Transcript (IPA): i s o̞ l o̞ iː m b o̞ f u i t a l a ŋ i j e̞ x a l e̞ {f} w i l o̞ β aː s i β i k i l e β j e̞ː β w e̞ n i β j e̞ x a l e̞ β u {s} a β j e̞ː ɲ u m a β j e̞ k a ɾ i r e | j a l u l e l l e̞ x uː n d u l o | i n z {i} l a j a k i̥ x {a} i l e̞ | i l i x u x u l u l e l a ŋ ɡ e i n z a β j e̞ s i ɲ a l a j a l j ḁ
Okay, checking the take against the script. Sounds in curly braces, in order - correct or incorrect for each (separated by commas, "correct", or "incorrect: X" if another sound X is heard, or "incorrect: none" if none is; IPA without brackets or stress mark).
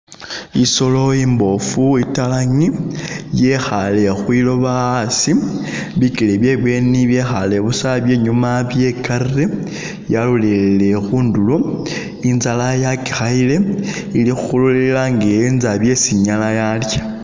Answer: incorrect: x, correct, incorrect: a, correct